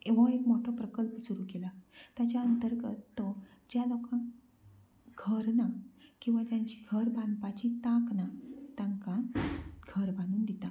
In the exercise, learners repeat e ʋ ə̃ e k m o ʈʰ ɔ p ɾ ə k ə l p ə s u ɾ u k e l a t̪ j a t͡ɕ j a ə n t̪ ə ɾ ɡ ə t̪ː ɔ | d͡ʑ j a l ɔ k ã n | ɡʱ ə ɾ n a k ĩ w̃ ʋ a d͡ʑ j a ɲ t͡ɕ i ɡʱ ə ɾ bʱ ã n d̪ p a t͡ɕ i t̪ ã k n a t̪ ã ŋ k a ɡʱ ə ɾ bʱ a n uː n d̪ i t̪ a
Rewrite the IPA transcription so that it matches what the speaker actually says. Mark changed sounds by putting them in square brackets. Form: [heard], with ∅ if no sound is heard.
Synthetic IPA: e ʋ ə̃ e k m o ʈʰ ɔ p ɾ ə k ə l p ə s u ɾ u k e l a t̪ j a t͡ɕ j a ə n t̪ ə ɾ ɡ ə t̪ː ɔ | d͡ʑ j a l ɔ k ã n | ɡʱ ə ɾ n a k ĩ w̃ ʋ a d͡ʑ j a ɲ t͡ɕ i ɡʱ ə ɾ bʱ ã n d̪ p a t͡ɕ i t̪ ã k n a t̪ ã ŋ k a ɡʱ ə ɾ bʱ a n uː n d̪ i t̪ a